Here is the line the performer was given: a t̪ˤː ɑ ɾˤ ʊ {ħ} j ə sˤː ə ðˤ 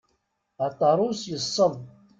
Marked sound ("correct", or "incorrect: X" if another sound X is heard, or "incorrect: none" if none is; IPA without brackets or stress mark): incorrect: s